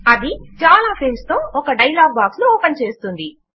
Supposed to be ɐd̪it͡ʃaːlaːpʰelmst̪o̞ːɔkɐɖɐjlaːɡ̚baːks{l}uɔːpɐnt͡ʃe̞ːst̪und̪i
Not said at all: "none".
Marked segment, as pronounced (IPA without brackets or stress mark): l